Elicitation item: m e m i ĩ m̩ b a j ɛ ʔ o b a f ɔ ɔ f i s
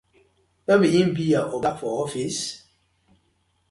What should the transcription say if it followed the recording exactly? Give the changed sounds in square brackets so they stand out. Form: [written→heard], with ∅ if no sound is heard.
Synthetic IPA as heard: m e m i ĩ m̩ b [a→i] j [ɛ→a] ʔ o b a f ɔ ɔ f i s